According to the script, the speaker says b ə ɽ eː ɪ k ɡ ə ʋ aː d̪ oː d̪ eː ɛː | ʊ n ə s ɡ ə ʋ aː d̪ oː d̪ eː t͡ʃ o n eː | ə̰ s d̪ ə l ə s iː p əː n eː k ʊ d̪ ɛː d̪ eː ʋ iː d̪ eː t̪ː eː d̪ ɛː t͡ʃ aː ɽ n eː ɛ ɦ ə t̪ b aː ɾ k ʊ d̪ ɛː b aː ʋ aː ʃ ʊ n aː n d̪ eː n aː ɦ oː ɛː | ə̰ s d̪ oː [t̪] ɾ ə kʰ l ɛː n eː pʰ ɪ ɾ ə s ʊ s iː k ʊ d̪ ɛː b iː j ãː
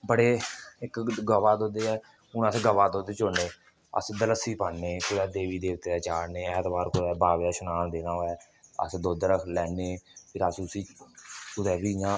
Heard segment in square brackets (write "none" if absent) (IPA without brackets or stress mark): d̪